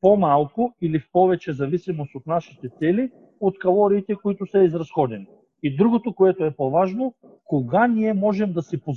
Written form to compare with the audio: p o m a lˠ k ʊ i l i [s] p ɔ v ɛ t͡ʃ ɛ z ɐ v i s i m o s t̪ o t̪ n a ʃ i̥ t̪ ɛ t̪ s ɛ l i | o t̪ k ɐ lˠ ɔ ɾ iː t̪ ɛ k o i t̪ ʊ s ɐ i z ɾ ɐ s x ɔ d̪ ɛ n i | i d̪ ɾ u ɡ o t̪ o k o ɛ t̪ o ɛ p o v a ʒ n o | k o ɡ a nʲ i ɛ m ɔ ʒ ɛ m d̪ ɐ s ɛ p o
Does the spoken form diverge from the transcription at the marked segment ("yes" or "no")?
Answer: yes